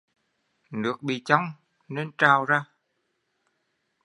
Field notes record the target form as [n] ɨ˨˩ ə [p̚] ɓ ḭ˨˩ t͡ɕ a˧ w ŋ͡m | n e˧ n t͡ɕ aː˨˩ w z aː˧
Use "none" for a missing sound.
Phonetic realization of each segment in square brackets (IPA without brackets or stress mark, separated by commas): n, k̚